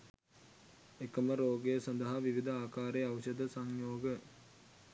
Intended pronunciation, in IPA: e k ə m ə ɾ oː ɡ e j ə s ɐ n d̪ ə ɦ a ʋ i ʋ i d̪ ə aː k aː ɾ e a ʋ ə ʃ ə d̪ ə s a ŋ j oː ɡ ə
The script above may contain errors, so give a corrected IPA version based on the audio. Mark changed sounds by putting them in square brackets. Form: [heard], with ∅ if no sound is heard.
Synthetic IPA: e k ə m ə ɾ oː ɡ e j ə s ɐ n d̪ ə ɦ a ʋ i ʋ i d̪ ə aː k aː ɾ e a ʋ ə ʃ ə d̪ ə s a ŋ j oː ɡ ə